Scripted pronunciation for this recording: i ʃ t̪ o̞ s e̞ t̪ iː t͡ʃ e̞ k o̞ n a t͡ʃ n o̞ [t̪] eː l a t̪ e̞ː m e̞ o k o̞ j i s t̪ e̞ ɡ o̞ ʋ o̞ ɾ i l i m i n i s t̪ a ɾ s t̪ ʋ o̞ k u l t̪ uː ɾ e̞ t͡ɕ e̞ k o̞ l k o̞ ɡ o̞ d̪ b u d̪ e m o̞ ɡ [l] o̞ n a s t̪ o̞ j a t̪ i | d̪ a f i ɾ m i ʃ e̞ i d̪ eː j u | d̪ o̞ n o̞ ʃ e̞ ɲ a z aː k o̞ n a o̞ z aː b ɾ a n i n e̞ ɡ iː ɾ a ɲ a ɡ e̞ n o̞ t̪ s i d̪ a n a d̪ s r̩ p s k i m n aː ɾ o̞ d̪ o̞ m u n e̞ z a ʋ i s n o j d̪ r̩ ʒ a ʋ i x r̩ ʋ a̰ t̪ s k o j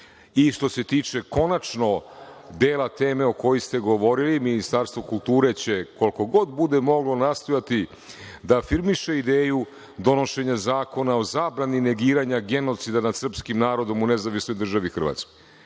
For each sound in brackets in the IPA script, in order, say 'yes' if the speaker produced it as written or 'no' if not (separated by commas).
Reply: no, yes